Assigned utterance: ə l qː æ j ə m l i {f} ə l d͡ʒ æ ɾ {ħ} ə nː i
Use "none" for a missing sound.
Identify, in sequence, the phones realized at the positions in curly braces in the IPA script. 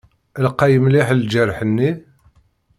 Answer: ħ, ħ

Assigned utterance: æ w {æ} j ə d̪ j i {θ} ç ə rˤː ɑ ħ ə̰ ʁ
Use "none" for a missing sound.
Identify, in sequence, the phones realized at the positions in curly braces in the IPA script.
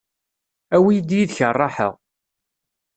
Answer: i, ð

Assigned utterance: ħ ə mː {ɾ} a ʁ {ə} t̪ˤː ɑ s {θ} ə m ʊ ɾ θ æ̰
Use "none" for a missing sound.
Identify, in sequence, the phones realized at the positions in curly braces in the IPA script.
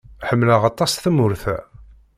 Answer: l, ɑ, θ

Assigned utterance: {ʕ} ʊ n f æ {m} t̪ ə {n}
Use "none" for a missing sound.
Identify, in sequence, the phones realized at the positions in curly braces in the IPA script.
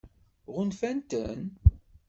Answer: ʁ, n, n

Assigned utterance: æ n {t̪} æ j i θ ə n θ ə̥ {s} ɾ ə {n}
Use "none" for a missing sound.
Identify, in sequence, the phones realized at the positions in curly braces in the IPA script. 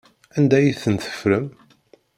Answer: d̪, f, m

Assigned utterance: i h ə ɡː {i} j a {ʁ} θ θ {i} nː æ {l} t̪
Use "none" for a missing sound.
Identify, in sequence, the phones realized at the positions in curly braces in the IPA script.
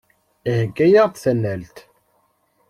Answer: æ, ʁ, æ, l

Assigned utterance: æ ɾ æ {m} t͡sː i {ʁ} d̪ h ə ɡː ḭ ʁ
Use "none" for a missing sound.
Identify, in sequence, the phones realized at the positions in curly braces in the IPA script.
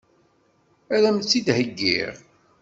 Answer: m, none

